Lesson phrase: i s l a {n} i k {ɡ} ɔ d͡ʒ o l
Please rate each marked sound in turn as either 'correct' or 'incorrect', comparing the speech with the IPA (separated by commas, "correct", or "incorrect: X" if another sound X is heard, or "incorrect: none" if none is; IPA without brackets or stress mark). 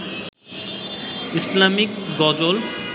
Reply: incorrect: m, correct